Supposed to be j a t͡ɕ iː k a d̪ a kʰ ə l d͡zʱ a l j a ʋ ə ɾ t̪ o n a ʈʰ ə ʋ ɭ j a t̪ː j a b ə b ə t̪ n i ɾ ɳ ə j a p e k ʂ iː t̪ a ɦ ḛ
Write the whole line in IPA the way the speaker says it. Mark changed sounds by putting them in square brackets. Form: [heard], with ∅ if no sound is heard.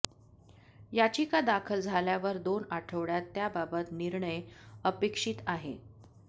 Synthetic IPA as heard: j a t͡ɕ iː k a d̪ a kʰ ə l d͡zʱ a l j a ʋ ə ɾ [d̪] o n a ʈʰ ə ʋ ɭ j a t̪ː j a b [a] b ə t̪ n i ɾ ɳ ə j [ə] p e k ʂ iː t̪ a ɦ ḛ